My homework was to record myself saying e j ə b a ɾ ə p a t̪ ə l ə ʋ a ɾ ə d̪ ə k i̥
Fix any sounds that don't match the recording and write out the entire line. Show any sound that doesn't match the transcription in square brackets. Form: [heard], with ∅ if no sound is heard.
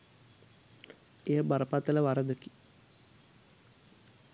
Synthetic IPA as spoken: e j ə b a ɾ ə p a t̪ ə l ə ʋ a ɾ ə d̪ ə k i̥

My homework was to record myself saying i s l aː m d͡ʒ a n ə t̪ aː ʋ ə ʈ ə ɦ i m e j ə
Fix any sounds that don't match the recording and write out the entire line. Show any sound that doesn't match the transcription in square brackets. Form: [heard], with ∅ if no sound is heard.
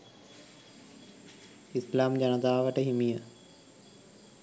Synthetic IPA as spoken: i s l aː m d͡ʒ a n ə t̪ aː ʋ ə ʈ ə ɦ i m [i] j ə

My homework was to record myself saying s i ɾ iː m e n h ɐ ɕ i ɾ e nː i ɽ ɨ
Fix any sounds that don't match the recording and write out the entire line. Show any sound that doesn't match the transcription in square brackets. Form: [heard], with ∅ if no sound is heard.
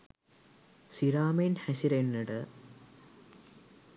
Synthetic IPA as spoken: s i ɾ [aː] m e n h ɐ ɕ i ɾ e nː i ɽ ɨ

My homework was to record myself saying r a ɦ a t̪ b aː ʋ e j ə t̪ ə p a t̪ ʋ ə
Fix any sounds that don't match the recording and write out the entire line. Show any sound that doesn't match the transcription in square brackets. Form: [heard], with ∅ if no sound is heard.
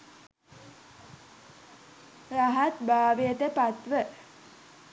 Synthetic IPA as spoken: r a ɦ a t̪ b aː ʋ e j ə t̪ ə p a t̪ ʋ ə

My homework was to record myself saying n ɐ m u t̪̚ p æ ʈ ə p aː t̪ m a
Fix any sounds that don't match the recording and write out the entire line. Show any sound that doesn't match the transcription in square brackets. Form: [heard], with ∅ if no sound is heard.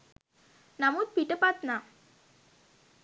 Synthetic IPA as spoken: n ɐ m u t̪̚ p [i] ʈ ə p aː t̪ [n] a

